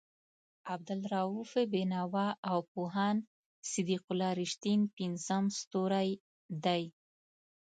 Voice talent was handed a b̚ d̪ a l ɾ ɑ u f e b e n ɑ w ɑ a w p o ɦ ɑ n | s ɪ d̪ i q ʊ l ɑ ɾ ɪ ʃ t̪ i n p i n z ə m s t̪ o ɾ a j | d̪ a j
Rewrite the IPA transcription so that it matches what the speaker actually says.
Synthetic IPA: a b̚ d̪ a l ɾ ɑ u f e b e n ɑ w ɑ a w p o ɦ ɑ n | s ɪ d̪ i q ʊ l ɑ ɾ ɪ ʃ t̪ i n p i n z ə m s t̪ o ɾ a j | d̪ a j